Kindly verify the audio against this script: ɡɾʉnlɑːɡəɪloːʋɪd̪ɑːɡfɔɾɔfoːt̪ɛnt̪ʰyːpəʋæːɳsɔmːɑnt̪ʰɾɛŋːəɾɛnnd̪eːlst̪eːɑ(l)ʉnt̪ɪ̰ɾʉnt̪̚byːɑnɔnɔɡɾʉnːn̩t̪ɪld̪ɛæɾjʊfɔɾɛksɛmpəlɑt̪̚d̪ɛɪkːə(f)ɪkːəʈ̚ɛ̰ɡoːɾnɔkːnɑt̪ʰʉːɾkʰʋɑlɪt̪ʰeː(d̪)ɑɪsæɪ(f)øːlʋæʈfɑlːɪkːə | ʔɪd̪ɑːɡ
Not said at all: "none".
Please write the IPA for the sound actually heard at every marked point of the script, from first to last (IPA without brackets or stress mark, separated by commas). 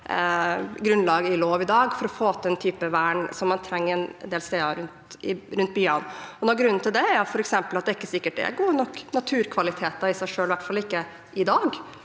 ɾ, s, t̪, ʂ